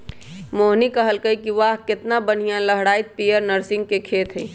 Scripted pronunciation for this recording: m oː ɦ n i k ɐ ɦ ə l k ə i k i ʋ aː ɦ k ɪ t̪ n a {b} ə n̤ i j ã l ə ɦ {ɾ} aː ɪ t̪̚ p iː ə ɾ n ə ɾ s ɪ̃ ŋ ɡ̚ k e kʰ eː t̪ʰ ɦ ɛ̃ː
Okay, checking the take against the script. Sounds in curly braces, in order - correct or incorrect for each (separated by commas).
correct, incorrect